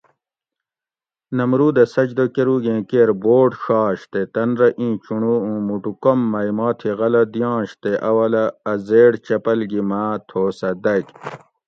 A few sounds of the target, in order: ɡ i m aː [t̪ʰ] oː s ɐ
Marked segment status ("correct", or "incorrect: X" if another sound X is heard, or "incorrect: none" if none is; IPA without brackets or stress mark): correct